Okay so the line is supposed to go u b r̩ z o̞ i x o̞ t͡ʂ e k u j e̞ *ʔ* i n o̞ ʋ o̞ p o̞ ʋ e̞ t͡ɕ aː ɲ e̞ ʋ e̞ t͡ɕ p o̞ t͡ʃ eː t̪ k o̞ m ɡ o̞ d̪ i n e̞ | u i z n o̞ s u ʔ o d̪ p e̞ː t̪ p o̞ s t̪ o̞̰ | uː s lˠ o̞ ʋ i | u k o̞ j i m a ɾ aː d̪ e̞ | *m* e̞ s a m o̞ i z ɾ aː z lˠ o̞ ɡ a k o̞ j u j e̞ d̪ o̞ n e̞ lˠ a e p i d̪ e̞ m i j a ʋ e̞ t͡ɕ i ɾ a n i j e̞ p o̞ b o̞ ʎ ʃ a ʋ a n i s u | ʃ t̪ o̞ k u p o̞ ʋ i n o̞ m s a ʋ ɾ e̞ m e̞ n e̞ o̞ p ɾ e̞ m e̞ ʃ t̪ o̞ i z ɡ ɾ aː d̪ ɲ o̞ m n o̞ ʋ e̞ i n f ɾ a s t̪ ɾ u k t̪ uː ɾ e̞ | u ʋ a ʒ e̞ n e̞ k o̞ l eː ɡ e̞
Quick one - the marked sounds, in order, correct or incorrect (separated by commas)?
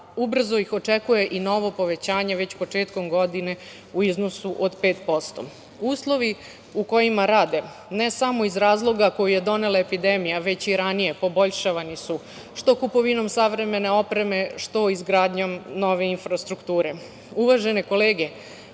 correct, incorrect